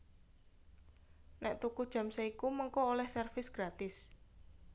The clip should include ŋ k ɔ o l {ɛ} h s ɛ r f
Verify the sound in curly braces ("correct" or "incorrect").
correct